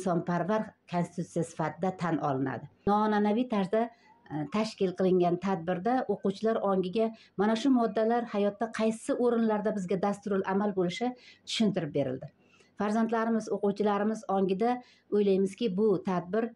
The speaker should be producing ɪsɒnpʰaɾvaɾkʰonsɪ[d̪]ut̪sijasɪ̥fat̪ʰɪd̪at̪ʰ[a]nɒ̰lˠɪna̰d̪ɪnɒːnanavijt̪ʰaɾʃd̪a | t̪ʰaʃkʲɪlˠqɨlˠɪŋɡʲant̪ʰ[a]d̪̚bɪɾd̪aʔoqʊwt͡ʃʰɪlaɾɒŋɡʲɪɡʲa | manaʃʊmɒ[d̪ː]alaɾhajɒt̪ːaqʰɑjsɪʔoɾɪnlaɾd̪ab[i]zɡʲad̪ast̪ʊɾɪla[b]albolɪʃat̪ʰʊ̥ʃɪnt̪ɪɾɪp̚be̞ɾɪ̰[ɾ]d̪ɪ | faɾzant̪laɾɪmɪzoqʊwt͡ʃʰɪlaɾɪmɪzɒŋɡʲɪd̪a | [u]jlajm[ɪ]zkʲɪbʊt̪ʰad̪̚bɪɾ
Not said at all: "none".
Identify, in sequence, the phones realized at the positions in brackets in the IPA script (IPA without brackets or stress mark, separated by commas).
t̪, a, a, d̪ː, ɪ, m, l, o, ɪ